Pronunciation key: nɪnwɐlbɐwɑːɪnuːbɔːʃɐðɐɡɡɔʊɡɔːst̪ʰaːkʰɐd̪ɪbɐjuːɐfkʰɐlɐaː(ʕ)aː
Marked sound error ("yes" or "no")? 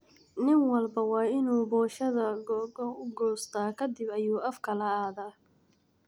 yes